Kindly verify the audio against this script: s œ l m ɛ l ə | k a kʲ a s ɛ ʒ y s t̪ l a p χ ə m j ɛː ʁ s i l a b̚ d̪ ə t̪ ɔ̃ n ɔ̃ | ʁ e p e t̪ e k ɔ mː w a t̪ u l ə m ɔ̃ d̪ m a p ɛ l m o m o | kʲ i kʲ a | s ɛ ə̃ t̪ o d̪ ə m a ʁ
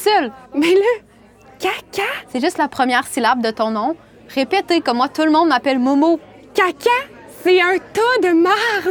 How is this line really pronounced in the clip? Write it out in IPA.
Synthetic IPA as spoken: s œ l m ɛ l ə | k a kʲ a s ɛ ʒ y s t̪ l a p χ ə m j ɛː ʁ s i l a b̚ d̪ ə t̪ ɔ̃ n ɔ̃ | ʁ e p e t̪ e k ɔ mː w a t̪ u l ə m ɔ̃ d̪ m a p ɛ l m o m o | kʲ a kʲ a | s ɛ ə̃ t̪ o d̪ ə m a ʁ